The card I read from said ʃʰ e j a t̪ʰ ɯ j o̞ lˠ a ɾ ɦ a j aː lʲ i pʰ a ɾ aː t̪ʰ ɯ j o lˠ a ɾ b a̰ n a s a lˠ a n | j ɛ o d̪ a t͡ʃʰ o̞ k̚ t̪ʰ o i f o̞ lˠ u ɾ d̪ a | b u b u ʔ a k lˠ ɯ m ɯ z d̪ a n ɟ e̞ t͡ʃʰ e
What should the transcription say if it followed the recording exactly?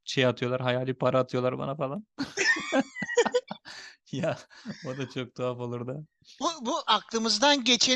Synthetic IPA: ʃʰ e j a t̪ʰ ɯ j o̞ lˠ a ɾ ɦ a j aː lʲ i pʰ a ɾ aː t̪ʰ ɯ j o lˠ a ɾ b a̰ n a f a lˠ a n | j a o d̪ a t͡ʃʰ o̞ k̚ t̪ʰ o a f o̞ lˠ u ɾ d̪ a | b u b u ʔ a k lˠ ɯ m ɯ z d̪ a n ɟ e̞ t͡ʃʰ e